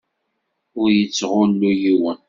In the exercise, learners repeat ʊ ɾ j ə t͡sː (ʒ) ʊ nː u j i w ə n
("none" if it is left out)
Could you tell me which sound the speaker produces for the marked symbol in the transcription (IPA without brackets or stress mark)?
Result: ʁ